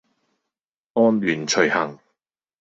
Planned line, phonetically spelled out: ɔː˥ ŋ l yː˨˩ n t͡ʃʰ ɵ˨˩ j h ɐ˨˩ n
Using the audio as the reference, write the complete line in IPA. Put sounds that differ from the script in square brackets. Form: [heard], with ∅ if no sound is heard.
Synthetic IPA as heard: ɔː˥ [n] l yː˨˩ n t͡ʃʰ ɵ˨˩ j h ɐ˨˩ [ŋ]